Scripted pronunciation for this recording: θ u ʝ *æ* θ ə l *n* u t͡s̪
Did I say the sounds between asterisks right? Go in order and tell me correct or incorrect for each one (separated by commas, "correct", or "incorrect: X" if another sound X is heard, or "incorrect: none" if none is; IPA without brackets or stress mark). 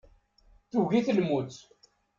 incorrect: i, incorrect: m